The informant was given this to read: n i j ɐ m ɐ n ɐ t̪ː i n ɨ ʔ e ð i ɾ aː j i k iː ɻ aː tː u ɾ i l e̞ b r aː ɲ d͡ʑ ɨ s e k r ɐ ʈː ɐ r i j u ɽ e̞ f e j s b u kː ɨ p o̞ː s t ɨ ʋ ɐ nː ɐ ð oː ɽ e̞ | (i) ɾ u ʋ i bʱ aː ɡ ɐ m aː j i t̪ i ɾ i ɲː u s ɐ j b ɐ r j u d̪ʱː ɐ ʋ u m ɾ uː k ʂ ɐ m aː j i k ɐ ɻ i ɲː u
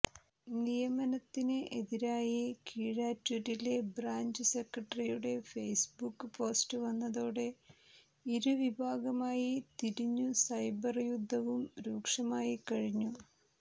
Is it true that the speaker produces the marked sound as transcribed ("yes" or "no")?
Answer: yes